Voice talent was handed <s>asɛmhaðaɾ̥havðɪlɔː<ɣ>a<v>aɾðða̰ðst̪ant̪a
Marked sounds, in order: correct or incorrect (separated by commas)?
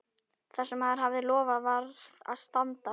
incorrect, incorrect, correct